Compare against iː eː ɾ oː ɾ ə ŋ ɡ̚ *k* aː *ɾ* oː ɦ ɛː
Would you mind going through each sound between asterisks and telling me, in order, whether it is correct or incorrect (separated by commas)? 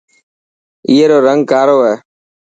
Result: correct, correct